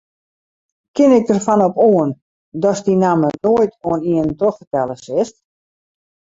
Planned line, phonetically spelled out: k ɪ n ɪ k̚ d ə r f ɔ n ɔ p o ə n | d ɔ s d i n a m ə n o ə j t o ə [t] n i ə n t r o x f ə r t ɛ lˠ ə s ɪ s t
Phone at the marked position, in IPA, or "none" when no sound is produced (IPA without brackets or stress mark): none